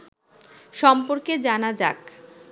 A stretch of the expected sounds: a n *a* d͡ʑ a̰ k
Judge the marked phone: correct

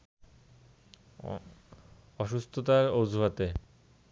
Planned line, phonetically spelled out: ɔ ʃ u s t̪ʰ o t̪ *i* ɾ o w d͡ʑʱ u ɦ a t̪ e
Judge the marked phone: incorrect: a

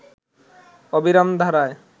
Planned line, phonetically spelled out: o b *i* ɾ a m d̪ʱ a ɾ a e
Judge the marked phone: correct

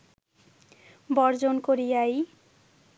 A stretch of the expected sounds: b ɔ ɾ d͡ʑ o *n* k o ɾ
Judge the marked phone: correct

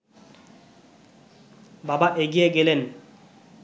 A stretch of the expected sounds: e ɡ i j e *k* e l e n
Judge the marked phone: incorrect: ɡ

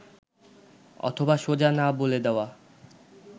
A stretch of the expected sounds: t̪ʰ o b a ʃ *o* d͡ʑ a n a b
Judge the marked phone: correct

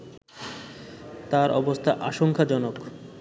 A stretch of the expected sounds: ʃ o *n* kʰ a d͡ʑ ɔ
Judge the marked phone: incorrect: ŋ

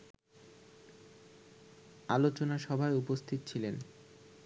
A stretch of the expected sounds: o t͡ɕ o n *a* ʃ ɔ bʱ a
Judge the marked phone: correct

